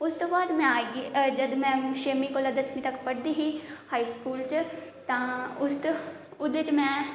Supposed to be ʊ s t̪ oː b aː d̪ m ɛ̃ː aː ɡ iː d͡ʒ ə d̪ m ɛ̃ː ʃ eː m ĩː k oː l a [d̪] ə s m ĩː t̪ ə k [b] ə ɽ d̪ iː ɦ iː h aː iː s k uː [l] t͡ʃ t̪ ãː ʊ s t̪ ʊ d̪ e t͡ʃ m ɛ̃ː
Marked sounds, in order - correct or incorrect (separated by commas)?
correct, incorrect, correct